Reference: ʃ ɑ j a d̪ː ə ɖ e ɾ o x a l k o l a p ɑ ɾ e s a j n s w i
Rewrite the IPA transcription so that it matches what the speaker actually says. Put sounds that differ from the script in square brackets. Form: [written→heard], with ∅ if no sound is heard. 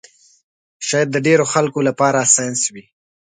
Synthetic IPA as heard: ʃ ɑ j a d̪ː ə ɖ e ɾ o x a l k o l a p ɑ ɾ [e→a] s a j n s w i